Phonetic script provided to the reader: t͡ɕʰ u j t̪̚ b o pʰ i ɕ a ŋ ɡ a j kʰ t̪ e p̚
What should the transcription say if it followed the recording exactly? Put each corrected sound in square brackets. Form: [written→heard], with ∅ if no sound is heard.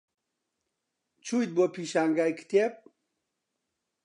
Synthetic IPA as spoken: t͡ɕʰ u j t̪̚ b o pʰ i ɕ a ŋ ɡ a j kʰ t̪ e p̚

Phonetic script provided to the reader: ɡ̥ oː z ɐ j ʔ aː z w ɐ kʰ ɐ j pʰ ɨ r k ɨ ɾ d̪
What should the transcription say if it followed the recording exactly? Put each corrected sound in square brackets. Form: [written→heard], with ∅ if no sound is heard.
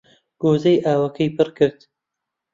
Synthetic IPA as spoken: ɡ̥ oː z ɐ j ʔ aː [z→∅] w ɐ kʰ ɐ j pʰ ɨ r k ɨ ɾ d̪

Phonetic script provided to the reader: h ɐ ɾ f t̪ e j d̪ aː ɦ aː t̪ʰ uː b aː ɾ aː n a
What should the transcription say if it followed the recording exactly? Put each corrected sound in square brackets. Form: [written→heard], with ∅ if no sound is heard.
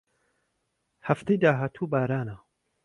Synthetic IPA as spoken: h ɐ [ɾ→∅] f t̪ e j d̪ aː ɦ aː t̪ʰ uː b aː ɾ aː n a

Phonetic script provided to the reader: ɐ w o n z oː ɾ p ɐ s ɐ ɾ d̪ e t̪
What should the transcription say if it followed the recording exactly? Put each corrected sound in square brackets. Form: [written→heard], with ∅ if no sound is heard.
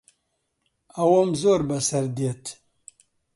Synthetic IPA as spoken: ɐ w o [n→m] z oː ɾ [p→b] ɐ s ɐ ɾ d̪ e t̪

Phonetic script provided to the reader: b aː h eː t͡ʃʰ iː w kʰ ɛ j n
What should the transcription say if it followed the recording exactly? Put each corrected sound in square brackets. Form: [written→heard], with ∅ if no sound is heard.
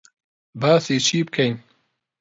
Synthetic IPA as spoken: b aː [h→s] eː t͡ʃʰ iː [w→b] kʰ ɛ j n

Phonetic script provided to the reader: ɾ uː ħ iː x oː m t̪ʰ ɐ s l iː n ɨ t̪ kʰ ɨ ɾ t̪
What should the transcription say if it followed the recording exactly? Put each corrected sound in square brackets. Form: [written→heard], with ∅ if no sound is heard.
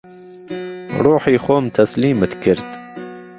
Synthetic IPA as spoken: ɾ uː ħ iː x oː m t̪ʰ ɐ s l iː [n→m] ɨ t̪ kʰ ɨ ɾ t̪

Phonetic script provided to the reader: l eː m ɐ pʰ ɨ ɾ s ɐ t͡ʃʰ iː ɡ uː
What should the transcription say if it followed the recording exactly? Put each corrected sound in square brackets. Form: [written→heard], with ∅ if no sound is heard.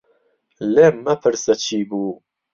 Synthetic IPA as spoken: l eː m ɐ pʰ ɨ ɾ s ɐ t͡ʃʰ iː [ɡ→b] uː

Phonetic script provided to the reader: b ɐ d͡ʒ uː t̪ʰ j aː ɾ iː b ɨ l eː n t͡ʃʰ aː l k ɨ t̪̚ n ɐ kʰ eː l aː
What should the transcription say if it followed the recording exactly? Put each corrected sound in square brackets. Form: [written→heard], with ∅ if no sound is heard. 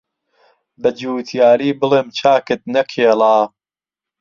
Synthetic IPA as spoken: b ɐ d͡ʒ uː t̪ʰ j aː ɾ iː b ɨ l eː [n→m] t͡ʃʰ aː [l→∅] k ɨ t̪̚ n ɐ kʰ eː l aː

